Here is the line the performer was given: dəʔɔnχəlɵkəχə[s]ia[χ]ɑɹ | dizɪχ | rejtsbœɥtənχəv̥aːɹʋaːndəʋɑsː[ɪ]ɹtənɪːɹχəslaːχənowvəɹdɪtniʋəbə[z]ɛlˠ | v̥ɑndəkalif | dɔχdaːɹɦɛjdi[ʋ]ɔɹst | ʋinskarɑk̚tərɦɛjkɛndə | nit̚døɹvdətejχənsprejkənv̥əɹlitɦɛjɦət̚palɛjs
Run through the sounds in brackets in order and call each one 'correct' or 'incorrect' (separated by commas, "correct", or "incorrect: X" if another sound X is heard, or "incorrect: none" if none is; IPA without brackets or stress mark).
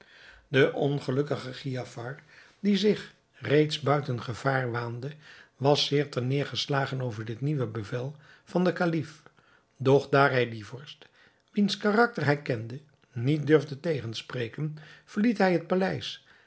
incorrect: χ, incorrect: f, incorrect: ɪː, incorrect: v, incorrect: v